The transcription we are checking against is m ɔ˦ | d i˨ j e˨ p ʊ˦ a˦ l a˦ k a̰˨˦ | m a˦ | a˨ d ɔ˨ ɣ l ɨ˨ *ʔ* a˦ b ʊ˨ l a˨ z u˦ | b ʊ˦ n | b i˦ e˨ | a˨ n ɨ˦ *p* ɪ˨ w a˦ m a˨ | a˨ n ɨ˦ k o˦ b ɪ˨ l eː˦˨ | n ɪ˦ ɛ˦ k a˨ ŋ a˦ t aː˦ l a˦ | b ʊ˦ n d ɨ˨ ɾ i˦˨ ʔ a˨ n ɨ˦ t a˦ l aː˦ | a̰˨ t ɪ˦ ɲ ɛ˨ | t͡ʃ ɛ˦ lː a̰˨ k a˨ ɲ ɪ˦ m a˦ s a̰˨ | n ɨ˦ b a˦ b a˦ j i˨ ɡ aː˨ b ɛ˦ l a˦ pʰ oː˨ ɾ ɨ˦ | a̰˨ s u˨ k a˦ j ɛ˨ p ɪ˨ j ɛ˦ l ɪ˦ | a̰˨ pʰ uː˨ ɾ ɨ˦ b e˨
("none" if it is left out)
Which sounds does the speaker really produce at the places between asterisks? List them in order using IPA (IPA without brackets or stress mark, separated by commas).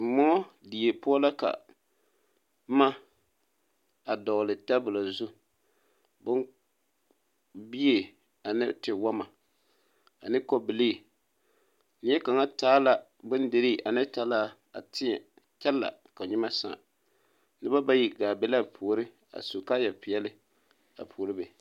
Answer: t, t